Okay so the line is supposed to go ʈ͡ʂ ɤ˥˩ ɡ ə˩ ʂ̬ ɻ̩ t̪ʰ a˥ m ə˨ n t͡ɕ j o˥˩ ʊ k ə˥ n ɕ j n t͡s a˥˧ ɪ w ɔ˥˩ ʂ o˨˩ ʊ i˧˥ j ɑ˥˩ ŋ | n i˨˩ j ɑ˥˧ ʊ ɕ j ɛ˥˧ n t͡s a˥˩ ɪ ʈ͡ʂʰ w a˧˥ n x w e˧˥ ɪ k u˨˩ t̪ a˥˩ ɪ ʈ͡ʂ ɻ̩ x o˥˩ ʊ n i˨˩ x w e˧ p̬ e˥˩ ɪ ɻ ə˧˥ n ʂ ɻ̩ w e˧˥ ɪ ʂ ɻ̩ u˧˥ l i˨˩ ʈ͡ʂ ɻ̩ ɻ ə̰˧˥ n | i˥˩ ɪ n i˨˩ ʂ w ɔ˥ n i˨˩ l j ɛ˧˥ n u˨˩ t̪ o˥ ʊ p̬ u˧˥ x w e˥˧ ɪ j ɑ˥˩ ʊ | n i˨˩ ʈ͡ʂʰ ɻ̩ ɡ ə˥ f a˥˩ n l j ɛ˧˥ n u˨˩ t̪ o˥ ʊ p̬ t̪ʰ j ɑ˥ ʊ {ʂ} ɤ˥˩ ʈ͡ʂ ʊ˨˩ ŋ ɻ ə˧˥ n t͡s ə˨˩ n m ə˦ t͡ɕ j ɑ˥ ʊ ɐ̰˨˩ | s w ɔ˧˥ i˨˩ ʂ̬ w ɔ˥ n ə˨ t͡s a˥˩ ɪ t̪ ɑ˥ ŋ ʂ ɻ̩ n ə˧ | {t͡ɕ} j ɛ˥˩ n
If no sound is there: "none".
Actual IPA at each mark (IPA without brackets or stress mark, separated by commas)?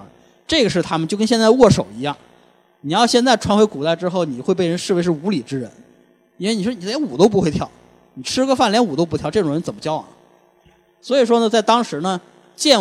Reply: ʈ͡ʂ, t͡ɕ